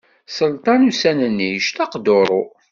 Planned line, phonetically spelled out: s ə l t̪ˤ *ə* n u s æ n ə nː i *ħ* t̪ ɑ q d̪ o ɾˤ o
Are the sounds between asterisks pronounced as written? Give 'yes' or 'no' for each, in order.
no, no

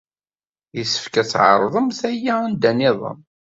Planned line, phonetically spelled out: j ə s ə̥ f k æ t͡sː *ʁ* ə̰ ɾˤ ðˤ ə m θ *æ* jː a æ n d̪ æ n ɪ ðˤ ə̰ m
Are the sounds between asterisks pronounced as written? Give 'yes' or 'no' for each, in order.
no, yes

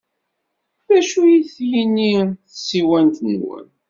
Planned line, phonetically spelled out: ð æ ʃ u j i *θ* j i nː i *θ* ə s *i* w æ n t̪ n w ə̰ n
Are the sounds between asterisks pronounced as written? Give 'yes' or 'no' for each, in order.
yes, yes, yes

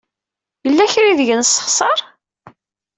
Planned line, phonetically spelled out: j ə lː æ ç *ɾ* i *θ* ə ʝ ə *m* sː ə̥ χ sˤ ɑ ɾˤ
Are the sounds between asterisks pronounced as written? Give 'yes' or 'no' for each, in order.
yes, no, no

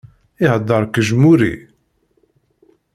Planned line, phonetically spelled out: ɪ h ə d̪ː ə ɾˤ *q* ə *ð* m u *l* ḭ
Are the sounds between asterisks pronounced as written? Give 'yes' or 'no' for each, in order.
no, no, no

